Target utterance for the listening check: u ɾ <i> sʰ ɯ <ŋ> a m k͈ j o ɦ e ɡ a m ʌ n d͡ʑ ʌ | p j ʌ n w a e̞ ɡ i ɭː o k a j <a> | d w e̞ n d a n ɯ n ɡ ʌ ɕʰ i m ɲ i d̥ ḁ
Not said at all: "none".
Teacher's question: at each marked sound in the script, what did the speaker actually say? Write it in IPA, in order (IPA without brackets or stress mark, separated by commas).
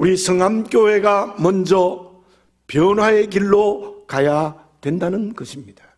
i, ŋ, a